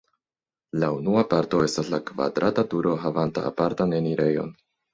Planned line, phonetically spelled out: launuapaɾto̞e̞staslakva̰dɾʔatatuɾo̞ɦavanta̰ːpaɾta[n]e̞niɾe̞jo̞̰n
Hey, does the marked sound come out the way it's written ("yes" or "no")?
yes